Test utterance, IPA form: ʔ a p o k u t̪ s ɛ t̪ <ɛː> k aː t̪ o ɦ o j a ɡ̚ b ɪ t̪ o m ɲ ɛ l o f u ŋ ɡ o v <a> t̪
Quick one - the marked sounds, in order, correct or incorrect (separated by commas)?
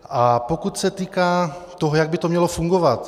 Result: incorrect, correct